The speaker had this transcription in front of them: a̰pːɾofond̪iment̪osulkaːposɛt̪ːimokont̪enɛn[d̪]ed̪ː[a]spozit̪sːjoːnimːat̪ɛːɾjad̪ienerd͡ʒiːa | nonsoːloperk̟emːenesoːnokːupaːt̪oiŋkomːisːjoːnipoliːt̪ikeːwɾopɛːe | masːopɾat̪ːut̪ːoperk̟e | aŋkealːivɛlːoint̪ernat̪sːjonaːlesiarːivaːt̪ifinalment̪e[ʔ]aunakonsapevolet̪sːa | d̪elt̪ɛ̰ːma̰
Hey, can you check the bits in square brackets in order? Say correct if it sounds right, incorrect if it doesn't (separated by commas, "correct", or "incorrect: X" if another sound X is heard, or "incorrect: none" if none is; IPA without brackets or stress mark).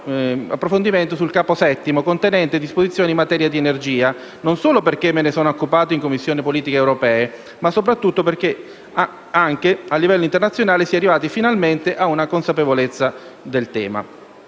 incorrect: t̪, incorrect: i, correct